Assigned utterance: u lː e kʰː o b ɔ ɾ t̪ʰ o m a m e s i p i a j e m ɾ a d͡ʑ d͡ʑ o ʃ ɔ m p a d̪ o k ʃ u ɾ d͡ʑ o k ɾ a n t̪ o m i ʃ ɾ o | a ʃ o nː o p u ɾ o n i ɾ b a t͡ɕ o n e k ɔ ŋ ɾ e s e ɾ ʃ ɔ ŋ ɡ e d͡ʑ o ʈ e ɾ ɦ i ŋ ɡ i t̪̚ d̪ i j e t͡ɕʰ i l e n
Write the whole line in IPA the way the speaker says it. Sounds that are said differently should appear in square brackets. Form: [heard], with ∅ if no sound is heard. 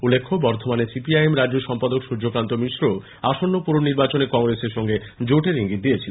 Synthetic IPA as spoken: u lː e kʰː o b ɔ ɾ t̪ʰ o m a [n] e s i p i a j e m ɾ a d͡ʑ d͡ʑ o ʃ ɔ m p a d̪ o k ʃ u ɾ d͡ʑ o k ɾ a n t̪ o m i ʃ ɾ o | a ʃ o nː o p u ɾ o n i ɾ b a t͡ɕ o n e k ɔ ŋ ɾ e s e ɾ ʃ ɔ ŋ ɡ e d͡ʑ o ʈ e ɾ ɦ i ŋ ɡ i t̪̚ d̪ i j e t͡ɕʰ i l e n